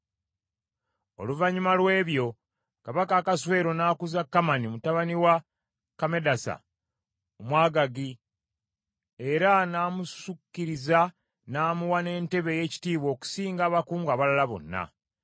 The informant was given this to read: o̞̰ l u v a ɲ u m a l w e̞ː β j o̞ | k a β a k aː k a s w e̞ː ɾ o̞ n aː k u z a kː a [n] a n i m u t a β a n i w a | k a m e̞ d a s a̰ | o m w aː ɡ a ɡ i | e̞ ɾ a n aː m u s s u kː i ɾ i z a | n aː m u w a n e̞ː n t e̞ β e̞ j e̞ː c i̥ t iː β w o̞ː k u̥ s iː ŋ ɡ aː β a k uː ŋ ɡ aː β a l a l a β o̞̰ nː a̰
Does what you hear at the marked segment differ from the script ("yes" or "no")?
yes